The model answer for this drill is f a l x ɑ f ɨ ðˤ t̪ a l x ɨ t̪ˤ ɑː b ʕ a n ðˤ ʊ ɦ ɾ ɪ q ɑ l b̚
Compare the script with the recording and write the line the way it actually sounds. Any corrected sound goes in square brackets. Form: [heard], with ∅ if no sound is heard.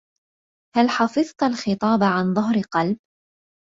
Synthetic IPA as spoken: [h] a l [ħ] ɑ f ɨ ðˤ t̪ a l x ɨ t̪ˤ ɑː b ʕ a n ðˤ ʊ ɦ ɾ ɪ q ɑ l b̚